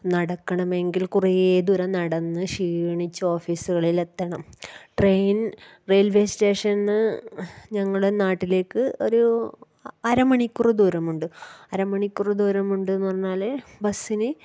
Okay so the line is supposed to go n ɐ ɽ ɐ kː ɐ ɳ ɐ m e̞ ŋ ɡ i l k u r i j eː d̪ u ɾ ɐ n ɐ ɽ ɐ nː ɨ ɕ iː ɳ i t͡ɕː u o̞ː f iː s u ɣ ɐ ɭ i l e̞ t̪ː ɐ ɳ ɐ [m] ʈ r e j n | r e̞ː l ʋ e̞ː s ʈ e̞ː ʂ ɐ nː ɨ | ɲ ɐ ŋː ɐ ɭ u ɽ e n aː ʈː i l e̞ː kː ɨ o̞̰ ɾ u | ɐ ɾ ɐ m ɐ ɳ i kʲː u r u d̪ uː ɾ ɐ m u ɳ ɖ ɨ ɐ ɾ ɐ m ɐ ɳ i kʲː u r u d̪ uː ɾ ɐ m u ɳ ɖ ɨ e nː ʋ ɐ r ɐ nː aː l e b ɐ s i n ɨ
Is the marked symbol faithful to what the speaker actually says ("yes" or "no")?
yes